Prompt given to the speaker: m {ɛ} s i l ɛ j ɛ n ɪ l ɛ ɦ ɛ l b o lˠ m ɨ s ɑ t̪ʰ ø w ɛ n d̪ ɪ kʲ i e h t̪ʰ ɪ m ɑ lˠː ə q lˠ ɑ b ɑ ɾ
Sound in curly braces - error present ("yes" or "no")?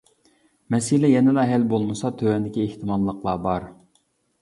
no